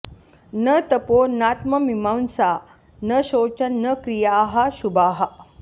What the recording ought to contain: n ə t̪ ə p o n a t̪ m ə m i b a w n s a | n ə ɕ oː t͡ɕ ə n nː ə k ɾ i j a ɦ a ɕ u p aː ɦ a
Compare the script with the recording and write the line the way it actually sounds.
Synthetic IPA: n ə t̪ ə p o n a t̪ m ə m i m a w n s a | n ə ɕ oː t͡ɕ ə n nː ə k ɾ i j a ɦ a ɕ u b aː ɦ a